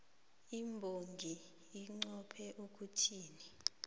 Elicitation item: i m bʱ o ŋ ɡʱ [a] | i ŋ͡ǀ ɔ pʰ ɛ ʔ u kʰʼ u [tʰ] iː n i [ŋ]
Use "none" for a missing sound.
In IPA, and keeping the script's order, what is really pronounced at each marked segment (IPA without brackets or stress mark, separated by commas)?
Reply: i, tʰ, none